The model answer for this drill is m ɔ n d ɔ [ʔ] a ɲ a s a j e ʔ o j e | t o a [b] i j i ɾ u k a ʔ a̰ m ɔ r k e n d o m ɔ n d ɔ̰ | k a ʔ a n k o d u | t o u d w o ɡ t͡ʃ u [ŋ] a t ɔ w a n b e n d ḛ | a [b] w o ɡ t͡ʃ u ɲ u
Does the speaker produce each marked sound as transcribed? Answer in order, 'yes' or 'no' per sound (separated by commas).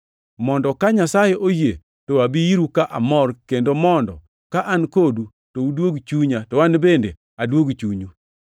no, yes, no, no